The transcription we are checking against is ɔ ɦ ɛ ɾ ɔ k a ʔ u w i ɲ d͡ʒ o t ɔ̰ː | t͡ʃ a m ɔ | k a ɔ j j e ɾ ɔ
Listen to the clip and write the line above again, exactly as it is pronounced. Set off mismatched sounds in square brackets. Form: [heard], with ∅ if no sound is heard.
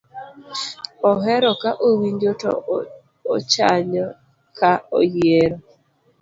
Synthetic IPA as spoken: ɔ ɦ ɛ ɾ ɔ k a ʔ [o] w i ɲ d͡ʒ o t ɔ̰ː | t͡ʃ a [ɲ] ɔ | k a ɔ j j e ɾ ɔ

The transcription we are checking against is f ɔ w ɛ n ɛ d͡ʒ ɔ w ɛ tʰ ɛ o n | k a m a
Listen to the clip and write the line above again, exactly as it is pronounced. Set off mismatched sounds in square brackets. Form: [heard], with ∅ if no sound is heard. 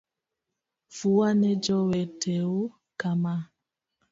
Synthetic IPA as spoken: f [u] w [a] n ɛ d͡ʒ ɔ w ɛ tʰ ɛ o [∅] | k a m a

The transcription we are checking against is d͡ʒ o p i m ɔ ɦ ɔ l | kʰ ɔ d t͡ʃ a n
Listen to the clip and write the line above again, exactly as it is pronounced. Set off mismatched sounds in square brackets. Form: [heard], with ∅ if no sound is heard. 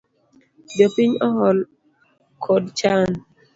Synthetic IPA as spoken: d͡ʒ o p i [ɲ] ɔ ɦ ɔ l | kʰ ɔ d t͡ʃ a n

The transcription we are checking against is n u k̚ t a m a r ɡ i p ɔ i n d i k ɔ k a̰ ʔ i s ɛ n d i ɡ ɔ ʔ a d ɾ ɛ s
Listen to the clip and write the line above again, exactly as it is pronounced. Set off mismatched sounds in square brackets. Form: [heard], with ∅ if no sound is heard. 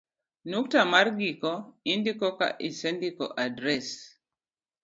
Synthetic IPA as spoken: n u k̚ t a m a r ɡ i [k] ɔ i n d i k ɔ k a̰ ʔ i s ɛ n d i [k] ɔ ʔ a d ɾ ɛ s

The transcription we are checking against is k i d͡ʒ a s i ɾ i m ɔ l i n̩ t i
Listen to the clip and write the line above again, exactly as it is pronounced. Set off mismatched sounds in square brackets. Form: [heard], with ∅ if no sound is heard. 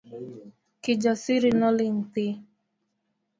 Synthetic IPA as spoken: k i d͡ʒ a s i ɾ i [n] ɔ l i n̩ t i

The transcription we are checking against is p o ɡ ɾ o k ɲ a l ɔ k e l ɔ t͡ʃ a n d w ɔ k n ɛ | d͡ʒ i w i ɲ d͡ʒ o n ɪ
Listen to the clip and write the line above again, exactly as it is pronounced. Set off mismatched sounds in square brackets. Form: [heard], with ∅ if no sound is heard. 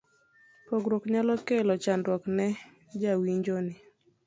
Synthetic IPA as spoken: p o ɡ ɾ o k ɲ a l ɔ k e l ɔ t͡ʃ a n d w ɔ k n ɛ | d͡ʒ [a] w i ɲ d͡ʒ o n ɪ

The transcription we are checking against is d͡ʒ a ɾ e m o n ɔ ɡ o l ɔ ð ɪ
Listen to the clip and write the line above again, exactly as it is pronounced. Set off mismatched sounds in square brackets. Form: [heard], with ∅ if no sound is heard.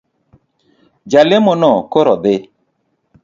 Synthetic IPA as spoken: d͡ʒ a [l] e m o n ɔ [k] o [ɾ] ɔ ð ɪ

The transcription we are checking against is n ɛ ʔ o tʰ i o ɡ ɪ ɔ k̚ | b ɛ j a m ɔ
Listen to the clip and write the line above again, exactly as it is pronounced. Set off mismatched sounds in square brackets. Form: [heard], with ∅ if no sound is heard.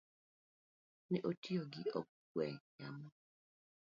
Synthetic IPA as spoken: n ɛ ʔ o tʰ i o ɡ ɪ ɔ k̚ | [w] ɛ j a m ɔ

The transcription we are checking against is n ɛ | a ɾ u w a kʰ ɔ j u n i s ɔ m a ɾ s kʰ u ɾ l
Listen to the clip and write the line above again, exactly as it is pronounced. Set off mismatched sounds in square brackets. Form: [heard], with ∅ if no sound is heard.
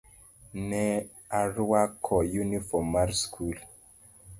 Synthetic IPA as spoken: n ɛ | a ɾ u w a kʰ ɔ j u n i [f] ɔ m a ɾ s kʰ u [∅] l

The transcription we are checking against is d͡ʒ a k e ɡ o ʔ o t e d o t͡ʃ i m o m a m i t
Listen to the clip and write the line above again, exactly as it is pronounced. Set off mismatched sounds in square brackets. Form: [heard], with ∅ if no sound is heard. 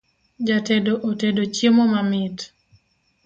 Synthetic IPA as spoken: d͡ʒ a [t] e [d] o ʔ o t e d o t͡ʃ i m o m a m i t

